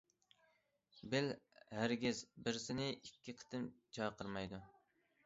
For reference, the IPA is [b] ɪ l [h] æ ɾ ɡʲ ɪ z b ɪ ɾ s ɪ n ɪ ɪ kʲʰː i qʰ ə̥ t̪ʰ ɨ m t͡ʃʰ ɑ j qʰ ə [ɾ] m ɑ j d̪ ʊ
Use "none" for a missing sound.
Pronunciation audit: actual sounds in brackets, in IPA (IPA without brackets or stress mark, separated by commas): b, h, ɾ